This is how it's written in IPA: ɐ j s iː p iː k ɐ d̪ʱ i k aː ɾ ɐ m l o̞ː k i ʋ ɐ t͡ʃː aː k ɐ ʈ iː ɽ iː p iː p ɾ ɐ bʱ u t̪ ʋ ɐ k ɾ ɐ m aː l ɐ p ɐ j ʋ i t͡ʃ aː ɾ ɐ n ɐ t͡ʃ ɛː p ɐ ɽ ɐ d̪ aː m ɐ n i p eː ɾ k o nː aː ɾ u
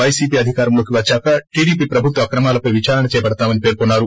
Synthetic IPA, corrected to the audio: ɐ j s iː p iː ɐ d̪ʱ i k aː ɾ ɐ m l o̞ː k i ʋ ɐ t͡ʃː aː k ɐ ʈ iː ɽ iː p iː p ɾ ɐ bʱ u t̪ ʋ ɐ k ɾ ɐ m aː l ɐ p ɐ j ʋ i t͡ʃ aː ɾ ɐ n ɐ t͡ʃ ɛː p ɐ ɽ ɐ t̪ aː m ɐ n i p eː ɾ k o nː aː ɾ u